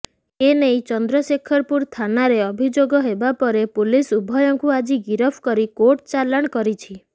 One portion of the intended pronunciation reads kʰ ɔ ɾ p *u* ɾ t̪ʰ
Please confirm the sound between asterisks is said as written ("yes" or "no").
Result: yes